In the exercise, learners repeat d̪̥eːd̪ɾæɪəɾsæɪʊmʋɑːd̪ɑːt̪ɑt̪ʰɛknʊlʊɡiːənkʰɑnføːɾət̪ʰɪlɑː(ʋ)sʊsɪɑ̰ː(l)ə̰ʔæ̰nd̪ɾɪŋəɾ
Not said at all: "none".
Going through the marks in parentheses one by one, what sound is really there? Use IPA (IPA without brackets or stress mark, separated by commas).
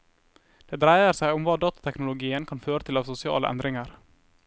ʋ, l